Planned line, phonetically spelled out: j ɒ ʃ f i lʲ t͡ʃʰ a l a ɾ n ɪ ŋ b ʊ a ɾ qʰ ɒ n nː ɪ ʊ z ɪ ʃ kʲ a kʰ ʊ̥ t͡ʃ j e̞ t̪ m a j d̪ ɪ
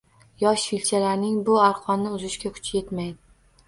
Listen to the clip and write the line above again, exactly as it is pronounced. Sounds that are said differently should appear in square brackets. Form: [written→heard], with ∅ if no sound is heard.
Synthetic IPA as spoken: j ɒ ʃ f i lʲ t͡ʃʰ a l a ɾ n ɪ ŋ b ʊ a ɾ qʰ ɒ n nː ɪ ʊ z ɪ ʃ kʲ a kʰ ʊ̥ t͡ʃ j e̞ t̪ m a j d̪ ɪ